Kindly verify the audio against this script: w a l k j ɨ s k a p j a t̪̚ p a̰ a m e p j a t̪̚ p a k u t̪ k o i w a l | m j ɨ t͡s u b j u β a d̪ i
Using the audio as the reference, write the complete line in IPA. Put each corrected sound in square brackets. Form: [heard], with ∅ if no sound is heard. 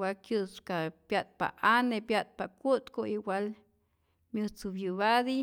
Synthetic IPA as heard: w a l k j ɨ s k a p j a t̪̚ p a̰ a [n] e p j a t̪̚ p a k u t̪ k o i w a l | m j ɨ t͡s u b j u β a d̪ i